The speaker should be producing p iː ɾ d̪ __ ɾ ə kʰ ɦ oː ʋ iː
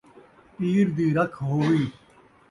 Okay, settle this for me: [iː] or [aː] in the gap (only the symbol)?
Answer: iː